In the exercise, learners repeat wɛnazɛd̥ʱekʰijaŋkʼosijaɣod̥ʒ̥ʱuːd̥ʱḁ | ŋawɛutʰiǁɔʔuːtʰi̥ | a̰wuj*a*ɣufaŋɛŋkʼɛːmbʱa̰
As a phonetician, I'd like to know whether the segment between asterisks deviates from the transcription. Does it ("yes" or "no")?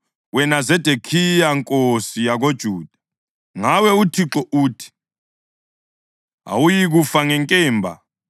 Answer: yes